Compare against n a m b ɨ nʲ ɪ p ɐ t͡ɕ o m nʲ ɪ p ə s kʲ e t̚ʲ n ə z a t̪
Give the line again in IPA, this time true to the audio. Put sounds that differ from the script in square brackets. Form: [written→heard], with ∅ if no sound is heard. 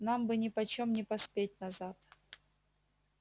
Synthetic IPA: n a m b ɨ nʲ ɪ p ɐ t͡ɕ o m nʲ ɪ p [ə→ɐ] s [kʲ→pʲ] e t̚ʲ n [ə→ɐ] z a t̪